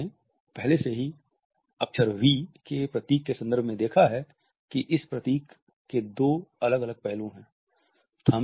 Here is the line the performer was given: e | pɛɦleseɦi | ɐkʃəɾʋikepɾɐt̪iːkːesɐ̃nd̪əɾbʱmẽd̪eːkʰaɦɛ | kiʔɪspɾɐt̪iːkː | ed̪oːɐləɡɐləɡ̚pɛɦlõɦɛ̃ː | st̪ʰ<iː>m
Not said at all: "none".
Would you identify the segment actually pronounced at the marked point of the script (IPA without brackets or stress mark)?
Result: aː